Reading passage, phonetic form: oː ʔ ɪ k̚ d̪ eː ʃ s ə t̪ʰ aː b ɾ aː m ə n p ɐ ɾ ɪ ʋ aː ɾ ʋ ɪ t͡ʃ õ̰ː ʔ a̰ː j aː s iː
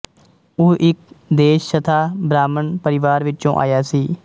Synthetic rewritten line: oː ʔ ɪ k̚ d̪ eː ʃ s ə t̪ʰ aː b ɾ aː m ə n p ə ɾ ɪ ʋ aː ɾ ʋ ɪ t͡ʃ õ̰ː ʔ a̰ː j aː s iː